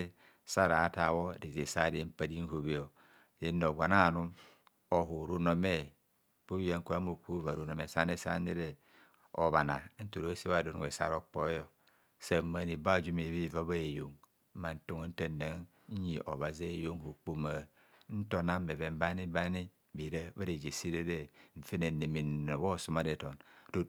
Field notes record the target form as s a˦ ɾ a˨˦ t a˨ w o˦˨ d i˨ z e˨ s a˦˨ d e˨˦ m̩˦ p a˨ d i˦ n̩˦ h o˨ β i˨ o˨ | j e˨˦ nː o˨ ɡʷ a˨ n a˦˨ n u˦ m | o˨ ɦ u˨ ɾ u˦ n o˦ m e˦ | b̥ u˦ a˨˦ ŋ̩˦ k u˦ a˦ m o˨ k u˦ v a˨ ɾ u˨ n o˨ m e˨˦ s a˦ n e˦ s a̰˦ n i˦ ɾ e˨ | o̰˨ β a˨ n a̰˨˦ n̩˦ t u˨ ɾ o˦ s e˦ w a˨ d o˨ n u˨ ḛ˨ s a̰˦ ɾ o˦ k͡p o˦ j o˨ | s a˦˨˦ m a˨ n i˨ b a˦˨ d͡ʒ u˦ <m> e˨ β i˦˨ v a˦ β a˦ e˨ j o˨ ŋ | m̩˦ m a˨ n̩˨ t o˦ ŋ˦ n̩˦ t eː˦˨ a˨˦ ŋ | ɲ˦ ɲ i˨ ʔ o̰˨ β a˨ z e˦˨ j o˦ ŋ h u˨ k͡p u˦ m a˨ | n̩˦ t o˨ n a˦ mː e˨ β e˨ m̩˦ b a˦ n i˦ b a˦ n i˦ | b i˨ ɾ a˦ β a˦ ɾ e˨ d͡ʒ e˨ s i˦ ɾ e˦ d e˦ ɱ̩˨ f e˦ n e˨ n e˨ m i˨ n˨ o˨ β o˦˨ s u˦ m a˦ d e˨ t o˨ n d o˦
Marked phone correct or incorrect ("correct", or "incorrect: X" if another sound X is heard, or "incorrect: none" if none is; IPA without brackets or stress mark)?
correct